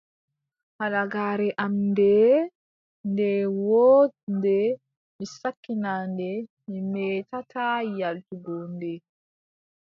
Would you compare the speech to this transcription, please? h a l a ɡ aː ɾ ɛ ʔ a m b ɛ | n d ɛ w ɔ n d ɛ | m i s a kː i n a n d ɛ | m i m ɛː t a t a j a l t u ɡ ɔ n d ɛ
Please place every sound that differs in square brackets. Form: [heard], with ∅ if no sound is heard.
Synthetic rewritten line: h a l a ɡ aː ɾ ɛ ʔ a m [d] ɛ | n d ɛ w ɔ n d ɛ | m i s a kː i n a n d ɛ | m i m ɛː t a t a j a l t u ɡ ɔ n d ɛ